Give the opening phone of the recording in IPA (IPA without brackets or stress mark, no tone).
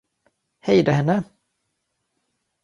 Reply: h